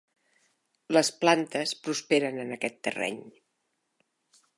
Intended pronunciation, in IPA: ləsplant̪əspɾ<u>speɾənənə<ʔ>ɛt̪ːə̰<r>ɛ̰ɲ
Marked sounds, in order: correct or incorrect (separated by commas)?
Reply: correct, incorrect, correct